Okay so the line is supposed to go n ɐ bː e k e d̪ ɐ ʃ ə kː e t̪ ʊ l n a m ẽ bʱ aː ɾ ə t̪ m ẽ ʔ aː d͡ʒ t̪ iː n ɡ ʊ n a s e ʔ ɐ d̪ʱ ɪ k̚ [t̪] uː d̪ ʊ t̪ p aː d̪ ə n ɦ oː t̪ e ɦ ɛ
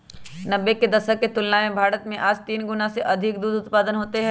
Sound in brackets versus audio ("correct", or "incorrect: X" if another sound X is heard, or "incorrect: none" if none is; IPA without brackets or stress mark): incorrect: d̪